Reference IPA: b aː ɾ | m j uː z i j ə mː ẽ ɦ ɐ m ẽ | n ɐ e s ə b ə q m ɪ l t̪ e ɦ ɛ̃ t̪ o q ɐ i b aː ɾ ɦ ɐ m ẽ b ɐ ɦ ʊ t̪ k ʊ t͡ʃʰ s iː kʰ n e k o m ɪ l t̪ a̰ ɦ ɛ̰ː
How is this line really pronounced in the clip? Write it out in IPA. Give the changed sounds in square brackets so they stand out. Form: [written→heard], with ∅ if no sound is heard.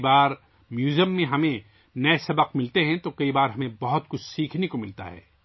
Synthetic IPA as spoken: b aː ɾ | m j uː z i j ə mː ẽ ɦ ɐ m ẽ | n ɐ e s [ə→ɐ] b ə q m ɪ l t̪ e ɦ ɛ̃ t̪ o [q→k] ɐ i b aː ɾ ɦ ɐ m ẽ b ɐ ɦ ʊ t̪ k ʊ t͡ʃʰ s iː kʰ n e k o m ɪ l t̪ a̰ ɦ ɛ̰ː